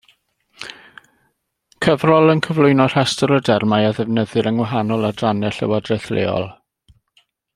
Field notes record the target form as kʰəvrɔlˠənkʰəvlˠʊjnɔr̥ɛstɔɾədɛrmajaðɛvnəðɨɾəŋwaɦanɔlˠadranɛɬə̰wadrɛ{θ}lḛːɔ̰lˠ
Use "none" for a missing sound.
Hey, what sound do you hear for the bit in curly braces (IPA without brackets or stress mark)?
θ